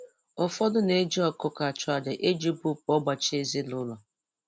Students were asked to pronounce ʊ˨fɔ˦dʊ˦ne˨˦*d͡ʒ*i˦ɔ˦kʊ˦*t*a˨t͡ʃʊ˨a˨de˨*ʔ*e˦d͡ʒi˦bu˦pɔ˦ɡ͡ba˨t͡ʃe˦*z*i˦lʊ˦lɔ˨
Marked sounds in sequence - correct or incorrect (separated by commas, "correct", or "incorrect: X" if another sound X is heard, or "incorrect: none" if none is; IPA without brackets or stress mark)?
correct, incorrect: k, correct, correct